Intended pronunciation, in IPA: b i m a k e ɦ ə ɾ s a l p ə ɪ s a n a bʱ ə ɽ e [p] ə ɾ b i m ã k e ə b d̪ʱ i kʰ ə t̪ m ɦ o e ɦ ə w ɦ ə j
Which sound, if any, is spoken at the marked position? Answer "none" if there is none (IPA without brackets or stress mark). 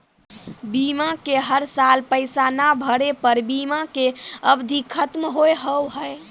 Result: p